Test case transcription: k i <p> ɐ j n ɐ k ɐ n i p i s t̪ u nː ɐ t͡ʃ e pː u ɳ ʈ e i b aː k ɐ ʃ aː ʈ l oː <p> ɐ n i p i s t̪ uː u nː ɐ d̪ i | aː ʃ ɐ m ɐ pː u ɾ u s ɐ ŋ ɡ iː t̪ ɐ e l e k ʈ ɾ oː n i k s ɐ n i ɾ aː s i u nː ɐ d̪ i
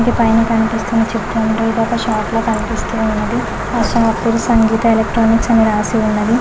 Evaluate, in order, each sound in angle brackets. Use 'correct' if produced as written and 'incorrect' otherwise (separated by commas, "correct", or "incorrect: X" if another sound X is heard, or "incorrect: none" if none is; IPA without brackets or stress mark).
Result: correct, incorrect: k